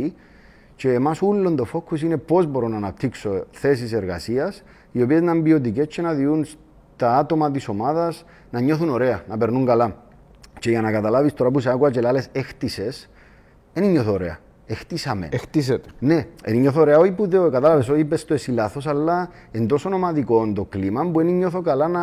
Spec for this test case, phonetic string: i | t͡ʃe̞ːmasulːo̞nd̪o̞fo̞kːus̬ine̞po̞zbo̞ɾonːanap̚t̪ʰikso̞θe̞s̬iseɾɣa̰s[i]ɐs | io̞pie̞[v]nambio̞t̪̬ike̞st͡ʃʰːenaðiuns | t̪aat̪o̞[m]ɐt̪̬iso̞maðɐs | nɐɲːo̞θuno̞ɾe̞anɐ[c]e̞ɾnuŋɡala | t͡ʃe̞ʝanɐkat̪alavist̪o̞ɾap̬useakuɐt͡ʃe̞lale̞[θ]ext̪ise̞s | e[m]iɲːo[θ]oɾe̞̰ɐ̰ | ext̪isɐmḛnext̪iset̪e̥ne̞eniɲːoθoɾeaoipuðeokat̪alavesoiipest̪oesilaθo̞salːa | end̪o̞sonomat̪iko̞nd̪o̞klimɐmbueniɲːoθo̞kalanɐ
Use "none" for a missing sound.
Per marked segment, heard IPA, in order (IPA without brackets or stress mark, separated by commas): i, z, m, p, s, n, θ